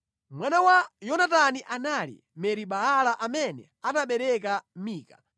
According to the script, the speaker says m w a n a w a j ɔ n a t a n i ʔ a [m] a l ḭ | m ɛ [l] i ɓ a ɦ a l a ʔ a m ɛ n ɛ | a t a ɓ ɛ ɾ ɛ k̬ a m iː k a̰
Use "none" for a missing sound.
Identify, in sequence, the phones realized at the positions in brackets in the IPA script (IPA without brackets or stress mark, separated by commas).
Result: n, ɾ